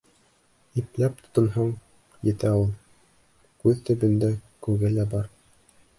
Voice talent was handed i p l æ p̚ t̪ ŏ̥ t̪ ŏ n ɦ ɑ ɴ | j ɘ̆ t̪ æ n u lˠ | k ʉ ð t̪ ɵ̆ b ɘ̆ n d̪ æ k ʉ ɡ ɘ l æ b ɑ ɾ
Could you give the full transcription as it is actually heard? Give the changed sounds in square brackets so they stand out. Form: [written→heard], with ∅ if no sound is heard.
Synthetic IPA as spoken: i p l æ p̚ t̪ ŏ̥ t̪ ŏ n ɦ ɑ ɴ | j ɘ̆ t̪ æ [n→∅] u lˠ | k ʉ ð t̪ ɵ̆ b ɘ̆ n d̪ æ k ʉ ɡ ɘ l æ b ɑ ɾ